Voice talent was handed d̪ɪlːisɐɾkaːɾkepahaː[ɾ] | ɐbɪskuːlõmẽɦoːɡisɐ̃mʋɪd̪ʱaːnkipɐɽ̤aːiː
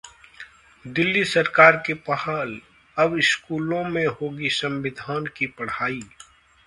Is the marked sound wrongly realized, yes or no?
yes